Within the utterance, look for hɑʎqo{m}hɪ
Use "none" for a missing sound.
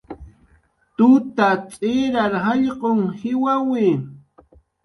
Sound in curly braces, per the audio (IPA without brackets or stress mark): ŋ